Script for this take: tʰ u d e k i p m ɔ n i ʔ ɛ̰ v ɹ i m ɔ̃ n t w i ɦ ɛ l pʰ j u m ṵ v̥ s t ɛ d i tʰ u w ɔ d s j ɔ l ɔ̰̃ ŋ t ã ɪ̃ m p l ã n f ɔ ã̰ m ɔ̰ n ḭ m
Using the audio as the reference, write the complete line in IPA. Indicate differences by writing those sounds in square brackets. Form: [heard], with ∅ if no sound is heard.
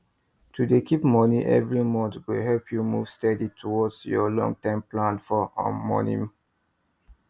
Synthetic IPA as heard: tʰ u d e k i p m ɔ n i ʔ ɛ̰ v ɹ i m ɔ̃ n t w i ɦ ɛ l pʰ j u m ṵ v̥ s t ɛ d i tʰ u w ɔ d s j ɔ l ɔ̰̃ ŋ t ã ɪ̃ m p l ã n f ɔ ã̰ m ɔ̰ n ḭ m